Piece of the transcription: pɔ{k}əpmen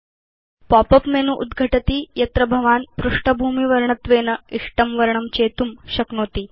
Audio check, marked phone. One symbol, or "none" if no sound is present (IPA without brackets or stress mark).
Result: p